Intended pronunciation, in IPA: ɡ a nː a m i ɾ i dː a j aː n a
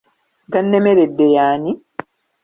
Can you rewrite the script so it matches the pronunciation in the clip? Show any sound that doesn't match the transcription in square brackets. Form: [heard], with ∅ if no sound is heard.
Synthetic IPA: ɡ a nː [e] m [e] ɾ [e] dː [e] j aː n [i]